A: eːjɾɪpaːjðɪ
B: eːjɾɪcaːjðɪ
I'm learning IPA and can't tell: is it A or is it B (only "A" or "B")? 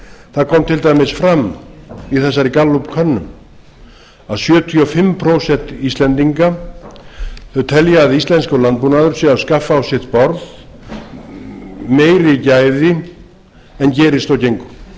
B